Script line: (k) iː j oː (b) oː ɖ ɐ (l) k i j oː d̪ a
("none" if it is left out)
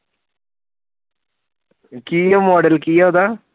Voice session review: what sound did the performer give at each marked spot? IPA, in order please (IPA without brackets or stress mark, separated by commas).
k, m, l